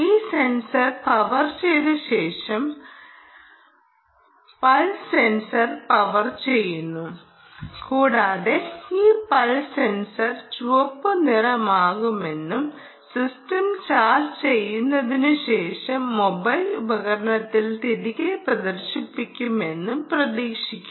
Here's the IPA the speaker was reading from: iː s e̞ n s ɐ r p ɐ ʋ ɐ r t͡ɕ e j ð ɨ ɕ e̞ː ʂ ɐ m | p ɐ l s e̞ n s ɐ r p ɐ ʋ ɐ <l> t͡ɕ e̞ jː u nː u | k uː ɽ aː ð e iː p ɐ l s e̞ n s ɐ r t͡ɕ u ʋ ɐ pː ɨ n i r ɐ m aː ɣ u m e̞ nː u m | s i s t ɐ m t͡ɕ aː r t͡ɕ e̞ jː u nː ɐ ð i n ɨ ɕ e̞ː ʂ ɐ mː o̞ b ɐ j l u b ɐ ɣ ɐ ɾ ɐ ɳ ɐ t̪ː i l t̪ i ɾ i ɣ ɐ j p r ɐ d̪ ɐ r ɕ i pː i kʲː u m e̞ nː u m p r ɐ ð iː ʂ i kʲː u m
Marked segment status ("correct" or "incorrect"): incorrect